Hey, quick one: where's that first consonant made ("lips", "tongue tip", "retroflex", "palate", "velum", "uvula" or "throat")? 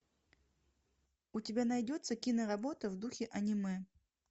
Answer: tongue tip